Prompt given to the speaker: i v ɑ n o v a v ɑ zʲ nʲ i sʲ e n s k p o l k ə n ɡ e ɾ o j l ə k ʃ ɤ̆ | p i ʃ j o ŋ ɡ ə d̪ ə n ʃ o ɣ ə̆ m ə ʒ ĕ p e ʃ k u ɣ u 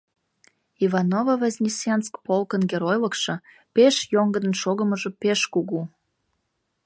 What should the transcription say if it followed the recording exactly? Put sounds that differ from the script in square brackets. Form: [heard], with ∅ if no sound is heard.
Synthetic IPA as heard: i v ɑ n o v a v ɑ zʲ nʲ i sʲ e n s k p o l k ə n ɡ e ɾ o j l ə k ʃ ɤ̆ | p [e] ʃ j o ŋ ɡ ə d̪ ə n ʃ o ɣ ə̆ m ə ʒ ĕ p e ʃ k u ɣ u